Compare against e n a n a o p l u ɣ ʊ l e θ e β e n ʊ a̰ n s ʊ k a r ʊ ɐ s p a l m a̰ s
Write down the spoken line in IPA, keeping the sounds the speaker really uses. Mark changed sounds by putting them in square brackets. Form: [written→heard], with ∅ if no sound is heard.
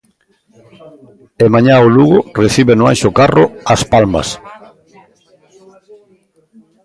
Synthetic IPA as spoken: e [n→m] a [n→ɲ] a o [p→∅] l u ɣ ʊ [l→r] e θ [e→i] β e n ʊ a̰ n [s→ʃ] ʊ k a r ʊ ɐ s p a l m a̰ s